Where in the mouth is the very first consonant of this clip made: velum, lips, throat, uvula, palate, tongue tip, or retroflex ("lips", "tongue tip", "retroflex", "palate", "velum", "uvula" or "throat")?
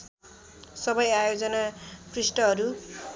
tongue tip